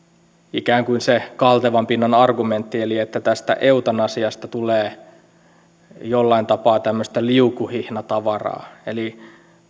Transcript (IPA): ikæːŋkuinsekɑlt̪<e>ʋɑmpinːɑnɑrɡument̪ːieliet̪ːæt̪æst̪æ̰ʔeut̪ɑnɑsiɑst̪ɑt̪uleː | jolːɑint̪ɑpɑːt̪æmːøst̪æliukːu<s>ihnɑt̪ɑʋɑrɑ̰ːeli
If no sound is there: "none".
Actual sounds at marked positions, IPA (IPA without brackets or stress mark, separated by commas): e, h